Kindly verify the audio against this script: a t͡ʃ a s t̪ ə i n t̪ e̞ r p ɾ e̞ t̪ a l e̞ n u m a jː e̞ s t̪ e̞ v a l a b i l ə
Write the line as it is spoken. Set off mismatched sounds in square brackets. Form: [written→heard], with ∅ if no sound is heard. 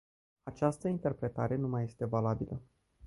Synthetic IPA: a t͡ʃ a s t̪ ə i n t̪ e̞ r p ɾ e̞ t̪ a [l→ɾ] e̞ n u m a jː e̞ s t̪ e̞ v a l a b i l ə